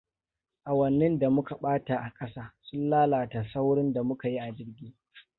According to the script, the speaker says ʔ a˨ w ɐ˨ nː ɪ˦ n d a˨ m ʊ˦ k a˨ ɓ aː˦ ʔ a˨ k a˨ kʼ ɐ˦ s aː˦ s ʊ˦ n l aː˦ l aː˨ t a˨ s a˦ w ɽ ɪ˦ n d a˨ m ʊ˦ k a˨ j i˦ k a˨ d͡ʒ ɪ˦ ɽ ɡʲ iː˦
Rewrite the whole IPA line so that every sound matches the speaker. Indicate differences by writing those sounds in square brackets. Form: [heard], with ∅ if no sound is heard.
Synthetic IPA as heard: ʔ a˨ w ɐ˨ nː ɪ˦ n d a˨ m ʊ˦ k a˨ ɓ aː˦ [t] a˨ [ʔ] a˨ kʼ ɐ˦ s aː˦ s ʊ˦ n l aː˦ l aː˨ t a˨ s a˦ w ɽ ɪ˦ n d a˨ m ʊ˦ k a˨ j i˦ [ʔ] a˨ d͡ʒ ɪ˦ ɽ ɡʲ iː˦